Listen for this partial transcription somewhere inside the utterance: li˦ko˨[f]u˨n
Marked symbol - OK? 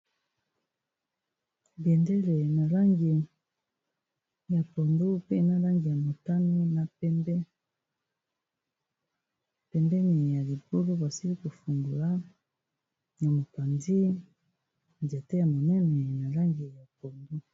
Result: yes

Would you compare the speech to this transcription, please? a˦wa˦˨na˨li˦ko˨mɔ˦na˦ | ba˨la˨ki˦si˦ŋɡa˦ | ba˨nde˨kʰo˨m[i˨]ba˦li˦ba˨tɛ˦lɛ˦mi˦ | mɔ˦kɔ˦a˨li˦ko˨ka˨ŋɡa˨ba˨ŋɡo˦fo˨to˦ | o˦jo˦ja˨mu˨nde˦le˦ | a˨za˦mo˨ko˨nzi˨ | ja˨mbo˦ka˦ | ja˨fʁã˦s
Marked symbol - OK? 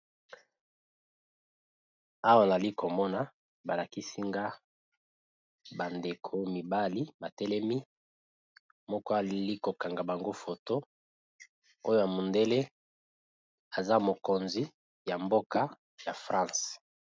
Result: yes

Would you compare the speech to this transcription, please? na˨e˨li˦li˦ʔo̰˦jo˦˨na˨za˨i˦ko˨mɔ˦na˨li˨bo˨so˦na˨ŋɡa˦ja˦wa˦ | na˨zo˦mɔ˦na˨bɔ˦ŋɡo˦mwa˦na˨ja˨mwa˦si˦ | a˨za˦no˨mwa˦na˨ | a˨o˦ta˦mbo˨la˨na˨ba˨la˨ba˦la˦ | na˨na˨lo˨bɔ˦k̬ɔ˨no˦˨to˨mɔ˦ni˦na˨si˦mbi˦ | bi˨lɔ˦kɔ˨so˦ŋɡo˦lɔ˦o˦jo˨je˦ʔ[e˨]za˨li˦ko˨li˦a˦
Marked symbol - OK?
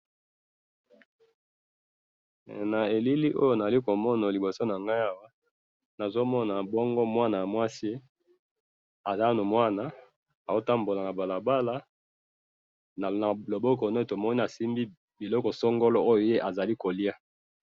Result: no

